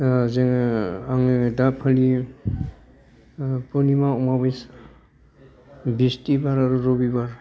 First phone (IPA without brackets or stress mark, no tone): z